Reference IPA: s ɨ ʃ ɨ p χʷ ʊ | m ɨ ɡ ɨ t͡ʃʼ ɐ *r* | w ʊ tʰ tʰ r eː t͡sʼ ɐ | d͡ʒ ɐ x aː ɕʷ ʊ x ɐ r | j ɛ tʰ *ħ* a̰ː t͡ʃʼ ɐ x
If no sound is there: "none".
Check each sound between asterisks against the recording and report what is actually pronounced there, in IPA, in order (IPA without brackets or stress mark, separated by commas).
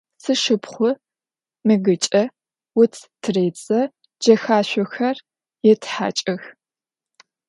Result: none, ħ